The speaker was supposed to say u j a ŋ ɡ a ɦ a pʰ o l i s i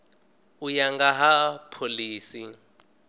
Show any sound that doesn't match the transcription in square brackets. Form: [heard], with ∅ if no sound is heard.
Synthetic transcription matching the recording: u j a ŋ ɡ a ɦ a pʰ o l [iː] s i

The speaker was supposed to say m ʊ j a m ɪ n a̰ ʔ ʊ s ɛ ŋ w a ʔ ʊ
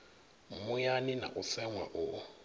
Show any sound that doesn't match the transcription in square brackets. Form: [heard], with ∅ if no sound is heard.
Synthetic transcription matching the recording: m ʊ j a [n] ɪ n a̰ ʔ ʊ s ɛ ŋ w a ʔ ʊ

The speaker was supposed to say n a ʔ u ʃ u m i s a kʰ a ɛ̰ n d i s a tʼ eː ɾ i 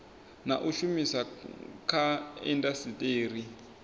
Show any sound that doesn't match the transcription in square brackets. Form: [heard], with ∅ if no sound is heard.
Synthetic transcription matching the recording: n a ʔ u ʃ u m i s a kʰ a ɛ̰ n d [a] s [i] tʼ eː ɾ i

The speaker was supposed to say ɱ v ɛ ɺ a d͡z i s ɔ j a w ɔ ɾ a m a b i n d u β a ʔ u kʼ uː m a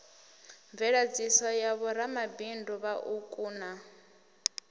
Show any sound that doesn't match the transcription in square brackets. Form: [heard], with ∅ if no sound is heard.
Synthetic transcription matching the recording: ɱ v ɛ ɺ a d͡z i s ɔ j a [β] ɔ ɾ a m a b i n d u β a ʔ u kʼ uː [n] a

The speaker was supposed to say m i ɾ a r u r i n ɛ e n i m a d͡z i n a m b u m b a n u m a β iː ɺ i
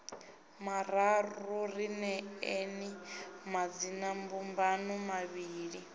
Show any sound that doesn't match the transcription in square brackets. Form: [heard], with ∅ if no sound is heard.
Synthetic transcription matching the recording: m [a] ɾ a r u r i n ɛ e n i m a d͡z i n a m b u m b a n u m a β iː ɺ i

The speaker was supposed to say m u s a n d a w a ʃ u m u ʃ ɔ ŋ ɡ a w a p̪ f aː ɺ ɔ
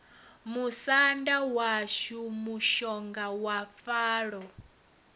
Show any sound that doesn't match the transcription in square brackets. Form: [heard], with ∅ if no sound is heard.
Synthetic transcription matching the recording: m u s a n d a w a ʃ u m u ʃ ɔ ŋ ɡ a w a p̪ f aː ɺ ɔ

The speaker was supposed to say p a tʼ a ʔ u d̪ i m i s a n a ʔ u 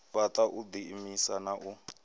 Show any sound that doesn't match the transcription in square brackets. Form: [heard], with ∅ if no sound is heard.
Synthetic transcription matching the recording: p a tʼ a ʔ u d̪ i m i s a n a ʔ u

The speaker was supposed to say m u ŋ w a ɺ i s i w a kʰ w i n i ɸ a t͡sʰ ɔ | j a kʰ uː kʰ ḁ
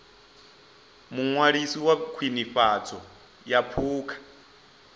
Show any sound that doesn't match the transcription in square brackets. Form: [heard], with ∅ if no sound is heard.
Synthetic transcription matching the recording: m u ŋ w a ɺ i s i w a kʰ w i n i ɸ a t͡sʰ ɔ | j a [pʰ] uː kʰ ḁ

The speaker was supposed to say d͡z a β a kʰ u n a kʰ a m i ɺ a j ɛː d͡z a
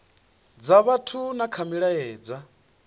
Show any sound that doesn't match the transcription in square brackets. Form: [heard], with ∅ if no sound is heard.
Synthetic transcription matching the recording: d͡z a β a [tʰ] u n a kʰ a m i ɺ a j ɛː d͡z a

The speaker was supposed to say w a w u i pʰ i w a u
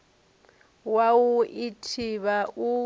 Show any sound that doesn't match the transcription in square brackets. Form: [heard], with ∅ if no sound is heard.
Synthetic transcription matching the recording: w a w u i [tʰ] i [β] a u

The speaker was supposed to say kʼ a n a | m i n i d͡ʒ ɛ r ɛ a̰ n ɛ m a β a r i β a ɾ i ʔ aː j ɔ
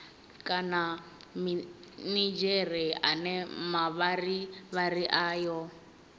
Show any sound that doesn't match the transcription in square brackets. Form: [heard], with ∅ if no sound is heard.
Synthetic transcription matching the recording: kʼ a n a | m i n i d͡ʒ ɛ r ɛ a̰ n ɛ m a β a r i β a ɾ i ʔ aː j ɔ

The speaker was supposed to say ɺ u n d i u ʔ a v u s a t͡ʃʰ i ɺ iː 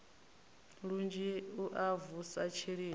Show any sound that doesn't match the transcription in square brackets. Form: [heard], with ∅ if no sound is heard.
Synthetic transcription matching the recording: ɺ u n [d͡ʒ] i u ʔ a v u s a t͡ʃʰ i ɺ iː

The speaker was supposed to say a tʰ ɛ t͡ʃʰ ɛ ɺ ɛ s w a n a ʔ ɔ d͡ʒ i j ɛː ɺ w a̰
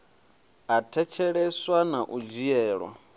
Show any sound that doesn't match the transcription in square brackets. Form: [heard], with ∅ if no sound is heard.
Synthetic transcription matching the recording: a tʰ ɛ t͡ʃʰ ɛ ɺ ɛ s w a n a ʔ [u] d͡ʒ i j ɛː ɺ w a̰

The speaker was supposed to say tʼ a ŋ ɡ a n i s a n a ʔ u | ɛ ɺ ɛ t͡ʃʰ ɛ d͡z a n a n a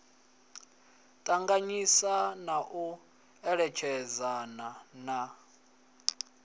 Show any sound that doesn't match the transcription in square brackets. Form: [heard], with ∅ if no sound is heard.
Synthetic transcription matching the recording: tʼ a ŋ ɡ a [ɲ] i s a n a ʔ u | ɛ ɺ ɛ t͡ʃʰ ɛ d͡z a n a n a

